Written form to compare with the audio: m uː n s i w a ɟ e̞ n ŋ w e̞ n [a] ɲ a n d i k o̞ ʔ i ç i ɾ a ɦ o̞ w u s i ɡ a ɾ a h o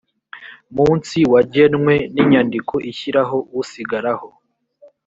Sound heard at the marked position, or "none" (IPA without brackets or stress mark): i